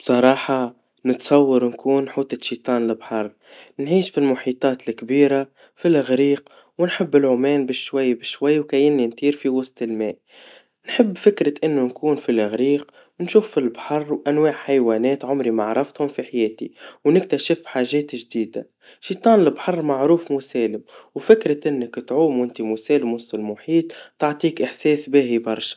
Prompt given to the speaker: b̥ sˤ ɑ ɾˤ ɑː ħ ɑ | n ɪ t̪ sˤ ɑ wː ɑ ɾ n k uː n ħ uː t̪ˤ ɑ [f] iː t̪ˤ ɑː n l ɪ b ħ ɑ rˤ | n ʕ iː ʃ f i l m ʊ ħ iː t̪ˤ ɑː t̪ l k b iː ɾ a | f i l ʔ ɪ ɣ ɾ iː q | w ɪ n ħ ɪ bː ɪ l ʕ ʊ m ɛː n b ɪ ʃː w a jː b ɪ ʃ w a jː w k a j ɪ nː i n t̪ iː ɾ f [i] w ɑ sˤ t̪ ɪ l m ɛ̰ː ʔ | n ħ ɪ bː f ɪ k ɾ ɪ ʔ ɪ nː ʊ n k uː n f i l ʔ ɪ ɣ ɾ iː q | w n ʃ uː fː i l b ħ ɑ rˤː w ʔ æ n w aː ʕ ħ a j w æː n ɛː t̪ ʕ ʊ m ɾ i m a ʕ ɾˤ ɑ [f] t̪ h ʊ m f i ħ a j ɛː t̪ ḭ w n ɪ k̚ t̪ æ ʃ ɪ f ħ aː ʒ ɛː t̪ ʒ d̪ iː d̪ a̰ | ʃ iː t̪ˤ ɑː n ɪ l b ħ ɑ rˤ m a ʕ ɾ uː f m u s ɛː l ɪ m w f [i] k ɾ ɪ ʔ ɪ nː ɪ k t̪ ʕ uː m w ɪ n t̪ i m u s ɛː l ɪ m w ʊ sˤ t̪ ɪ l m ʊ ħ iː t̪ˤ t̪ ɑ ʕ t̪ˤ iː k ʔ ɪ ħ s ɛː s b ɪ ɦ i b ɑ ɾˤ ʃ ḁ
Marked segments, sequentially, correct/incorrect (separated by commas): incorrect, correct, correct, incorrect